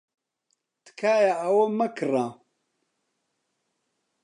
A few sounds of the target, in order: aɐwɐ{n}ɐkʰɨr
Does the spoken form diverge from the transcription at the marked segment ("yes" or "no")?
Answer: yes